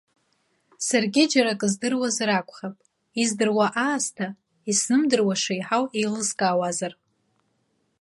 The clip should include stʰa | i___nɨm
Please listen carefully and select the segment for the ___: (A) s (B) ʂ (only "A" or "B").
A